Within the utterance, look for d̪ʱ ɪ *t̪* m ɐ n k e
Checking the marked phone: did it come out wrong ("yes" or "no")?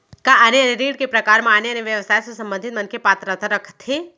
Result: no